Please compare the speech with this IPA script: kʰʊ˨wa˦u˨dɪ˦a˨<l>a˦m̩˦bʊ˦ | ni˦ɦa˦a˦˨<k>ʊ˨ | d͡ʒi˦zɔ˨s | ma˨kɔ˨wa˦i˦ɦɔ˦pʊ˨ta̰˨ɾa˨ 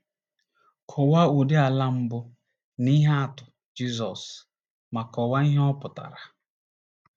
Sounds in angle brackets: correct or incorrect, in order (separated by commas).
correct, incorrect